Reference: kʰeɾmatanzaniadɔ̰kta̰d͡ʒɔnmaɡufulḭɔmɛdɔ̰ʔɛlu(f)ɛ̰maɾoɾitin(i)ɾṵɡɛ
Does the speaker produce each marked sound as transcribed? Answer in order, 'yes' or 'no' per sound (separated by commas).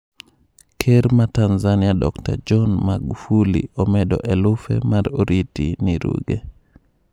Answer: yes, yes